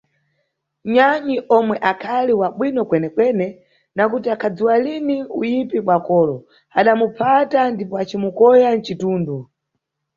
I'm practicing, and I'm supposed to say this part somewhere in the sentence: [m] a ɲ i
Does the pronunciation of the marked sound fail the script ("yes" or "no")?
yes